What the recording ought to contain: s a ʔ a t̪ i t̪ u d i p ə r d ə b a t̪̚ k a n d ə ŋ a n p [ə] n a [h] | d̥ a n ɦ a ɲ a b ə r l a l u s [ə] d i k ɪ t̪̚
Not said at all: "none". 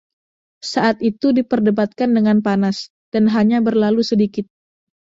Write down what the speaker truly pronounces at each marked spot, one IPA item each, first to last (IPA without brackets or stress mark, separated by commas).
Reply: a, s, ə